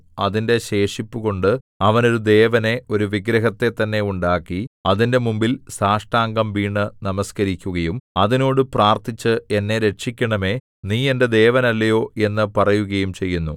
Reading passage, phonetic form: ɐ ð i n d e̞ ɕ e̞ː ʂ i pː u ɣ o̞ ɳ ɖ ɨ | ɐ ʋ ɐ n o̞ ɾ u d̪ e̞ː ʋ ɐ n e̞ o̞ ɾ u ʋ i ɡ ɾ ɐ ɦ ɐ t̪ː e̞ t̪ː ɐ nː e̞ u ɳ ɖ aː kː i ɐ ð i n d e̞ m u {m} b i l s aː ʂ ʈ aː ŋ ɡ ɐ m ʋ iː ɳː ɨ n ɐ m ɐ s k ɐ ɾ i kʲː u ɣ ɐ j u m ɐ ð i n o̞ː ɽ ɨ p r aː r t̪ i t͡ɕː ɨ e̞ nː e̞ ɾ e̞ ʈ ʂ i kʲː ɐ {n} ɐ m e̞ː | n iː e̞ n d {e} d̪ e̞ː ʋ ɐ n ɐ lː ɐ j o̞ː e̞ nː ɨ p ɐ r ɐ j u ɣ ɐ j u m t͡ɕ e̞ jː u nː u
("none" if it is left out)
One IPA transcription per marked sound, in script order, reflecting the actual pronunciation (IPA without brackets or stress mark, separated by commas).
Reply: m, ɳ, e